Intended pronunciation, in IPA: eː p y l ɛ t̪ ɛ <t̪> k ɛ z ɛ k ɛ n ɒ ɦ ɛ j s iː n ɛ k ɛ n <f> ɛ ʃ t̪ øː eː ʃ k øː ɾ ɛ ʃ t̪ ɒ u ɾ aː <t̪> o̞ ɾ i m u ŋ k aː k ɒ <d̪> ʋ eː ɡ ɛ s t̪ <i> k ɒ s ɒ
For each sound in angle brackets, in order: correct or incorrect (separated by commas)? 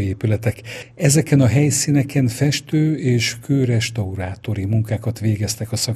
incorrect, correct, correct, incorrect, incorrect